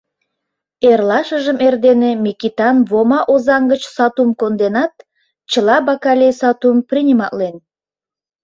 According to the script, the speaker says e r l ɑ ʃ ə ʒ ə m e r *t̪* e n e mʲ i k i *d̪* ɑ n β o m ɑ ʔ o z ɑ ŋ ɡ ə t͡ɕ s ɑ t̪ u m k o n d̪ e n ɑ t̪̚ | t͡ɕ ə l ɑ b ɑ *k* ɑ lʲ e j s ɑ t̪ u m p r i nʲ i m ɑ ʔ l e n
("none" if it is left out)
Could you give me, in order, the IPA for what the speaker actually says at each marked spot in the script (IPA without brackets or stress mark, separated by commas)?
d̪, t̪, k